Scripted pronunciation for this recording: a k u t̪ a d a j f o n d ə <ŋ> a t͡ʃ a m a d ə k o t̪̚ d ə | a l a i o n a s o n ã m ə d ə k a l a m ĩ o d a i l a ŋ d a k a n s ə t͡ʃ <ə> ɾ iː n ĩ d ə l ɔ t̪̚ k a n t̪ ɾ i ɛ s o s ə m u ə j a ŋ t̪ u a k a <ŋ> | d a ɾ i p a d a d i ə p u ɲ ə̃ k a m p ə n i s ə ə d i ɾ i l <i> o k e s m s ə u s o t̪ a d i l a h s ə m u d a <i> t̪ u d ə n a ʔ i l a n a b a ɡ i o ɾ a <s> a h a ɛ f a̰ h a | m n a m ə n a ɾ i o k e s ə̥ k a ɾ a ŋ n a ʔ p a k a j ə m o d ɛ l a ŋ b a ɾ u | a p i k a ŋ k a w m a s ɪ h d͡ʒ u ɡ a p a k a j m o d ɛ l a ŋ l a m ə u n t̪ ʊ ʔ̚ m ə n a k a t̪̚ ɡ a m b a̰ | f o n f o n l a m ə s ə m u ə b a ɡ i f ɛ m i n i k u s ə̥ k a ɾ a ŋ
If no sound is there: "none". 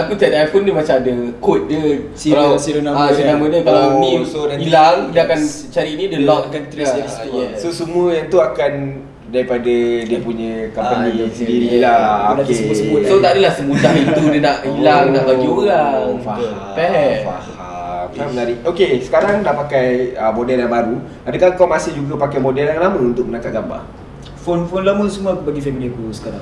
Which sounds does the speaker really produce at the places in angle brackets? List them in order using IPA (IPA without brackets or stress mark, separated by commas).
m, a, n, a, i, f